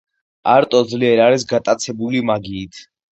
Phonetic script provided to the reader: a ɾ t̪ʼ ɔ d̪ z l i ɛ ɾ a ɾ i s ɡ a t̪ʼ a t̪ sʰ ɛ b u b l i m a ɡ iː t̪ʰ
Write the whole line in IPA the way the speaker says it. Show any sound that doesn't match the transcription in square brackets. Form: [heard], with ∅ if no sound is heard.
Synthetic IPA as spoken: a ɾ t̪ʼ ɔ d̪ z l i ɛ ɾ a ɾ i s ɡ a t̪ʼ a t̪ sʰ ɛ b u [∅] l i m a ɡ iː t̪ʰ